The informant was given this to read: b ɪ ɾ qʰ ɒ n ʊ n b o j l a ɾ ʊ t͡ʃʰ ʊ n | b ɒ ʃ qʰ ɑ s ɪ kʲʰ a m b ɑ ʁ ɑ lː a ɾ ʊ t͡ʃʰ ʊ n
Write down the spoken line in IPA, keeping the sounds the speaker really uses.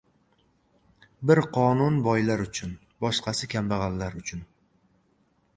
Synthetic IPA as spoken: b ɪ ɾ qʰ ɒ n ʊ n b ɒ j l a ɾ ʊ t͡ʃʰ ʊ n | b ɒ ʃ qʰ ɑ s ɪ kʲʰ a m b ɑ ʁ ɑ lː a ɾ ʊ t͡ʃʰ ʊ n